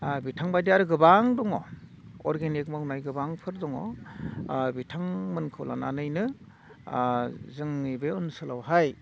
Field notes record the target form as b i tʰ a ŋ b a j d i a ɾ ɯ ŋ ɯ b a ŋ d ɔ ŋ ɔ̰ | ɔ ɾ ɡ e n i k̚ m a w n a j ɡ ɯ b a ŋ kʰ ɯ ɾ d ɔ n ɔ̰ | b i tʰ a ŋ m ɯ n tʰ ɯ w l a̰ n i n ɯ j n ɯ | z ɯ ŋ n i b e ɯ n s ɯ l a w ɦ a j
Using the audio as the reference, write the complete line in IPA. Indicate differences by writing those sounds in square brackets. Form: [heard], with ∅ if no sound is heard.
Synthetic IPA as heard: b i tʰ a ŋ b a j d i a ɾ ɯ [ɡ] ɯ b a ŋ d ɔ ŋ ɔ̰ | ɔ ɾ ɡ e n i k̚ m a w n a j ɡ ɯ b a ŋ [pʰ] ɯ ɾ d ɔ [ŋ] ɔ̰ | b i tʰ a ŋ m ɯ n [kʰ] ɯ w l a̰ n [a] n ɯ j n ɯ | z ɯ ŋ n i b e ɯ n s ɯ l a w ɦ a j